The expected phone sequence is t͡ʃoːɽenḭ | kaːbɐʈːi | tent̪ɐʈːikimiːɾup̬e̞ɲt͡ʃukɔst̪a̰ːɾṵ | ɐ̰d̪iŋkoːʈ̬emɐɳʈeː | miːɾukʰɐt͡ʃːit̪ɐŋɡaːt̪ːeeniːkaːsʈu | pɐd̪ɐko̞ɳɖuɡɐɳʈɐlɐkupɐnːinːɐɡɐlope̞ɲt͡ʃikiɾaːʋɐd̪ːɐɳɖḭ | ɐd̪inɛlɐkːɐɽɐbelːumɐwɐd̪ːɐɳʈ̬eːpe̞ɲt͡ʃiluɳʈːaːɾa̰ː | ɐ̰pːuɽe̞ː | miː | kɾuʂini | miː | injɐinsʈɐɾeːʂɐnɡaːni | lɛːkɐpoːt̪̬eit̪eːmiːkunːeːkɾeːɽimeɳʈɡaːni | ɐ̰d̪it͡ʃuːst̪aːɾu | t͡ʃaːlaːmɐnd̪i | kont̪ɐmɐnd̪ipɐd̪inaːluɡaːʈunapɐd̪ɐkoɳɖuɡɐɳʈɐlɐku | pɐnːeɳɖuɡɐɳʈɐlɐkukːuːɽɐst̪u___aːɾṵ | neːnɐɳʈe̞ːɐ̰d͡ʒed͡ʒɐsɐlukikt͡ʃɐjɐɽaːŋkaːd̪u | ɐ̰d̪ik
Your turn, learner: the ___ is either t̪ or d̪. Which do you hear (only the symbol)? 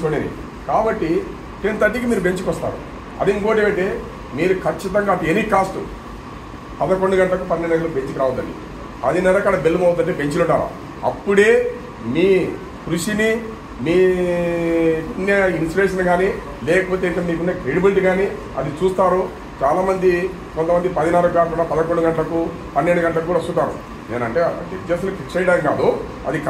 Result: t̪